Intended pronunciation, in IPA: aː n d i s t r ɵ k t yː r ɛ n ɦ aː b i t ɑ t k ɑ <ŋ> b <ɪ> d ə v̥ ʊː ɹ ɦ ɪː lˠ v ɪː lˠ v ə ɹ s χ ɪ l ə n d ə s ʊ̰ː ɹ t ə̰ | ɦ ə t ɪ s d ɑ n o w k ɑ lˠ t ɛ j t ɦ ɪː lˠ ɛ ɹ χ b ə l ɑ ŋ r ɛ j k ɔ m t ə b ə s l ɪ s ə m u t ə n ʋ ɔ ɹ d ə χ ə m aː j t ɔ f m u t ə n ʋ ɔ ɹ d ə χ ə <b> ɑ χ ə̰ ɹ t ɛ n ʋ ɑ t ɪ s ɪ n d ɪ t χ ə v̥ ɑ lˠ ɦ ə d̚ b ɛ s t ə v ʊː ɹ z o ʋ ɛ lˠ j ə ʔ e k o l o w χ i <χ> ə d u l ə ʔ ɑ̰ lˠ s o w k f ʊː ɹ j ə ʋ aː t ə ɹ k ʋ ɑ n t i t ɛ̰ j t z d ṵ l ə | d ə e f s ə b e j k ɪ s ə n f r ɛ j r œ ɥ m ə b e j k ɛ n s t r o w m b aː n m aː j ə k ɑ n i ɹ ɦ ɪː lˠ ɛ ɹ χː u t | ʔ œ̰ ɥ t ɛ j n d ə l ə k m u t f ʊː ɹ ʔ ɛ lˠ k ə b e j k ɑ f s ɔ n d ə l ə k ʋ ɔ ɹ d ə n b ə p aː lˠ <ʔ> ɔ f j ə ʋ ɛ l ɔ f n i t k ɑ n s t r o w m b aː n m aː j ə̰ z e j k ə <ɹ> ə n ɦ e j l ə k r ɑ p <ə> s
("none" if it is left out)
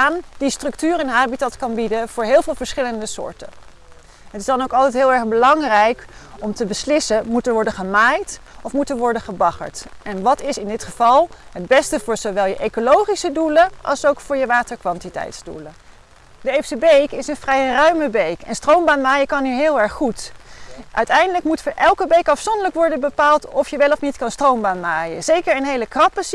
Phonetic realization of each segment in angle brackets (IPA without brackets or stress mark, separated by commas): n, i, b, s, t, ɹ, ə